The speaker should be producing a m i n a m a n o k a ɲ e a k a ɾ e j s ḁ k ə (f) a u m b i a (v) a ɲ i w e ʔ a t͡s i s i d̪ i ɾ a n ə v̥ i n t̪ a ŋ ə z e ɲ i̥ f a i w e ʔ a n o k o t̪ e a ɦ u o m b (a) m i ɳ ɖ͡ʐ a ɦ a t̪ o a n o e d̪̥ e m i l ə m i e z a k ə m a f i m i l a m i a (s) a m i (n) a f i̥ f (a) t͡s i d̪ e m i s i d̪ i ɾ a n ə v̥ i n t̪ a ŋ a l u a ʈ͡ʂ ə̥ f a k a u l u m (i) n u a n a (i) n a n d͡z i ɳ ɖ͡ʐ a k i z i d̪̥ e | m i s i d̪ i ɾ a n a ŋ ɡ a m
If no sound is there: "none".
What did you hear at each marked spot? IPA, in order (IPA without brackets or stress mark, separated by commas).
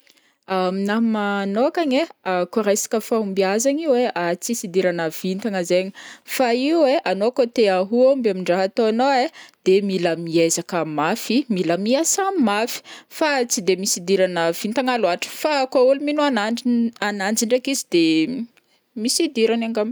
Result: f, z, a, s, m, a, i, a